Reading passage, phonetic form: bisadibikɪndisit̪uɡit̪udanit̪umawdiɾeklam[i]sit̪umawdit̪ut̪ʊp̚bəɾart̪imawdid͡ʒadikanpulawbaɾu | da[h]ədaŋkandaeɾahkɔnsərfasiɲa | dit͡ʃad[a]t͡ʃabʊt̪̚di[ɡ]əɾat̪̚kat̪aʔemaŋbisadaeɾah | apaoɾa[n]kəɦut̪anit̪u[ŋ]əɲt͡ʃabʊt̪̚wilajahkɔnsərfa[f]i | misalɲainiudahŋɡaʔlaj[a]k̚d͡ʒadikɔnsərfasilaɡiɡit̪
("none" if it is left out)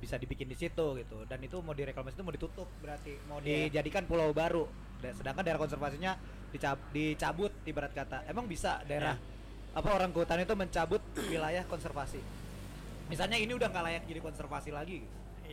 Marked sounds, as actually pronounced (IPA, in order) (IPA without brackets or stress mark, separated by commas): a, s, i, b, ŋ, m, s, a